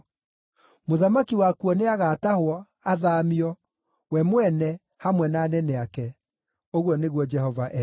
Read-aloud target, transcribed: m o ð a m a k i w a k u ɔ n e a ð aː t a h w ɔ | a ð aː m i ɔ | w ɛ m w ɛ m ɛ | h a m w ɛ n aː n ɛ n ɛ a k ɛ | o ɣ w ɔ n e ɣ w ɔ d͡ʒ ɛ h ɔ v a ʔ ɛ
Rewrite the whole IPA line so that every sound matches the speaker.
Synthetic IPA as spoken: m o ð a m a k i w a k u ɔ n e a ɣ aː t a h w ɔ | a ð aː m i ɔ | w ɛ m w ɛ n ɛ | h a m w ɛ n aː n ɛ n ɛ a k ɛ | o ɣ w ɔ n e ɣ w ɔ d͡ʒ ɛ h ɔ v a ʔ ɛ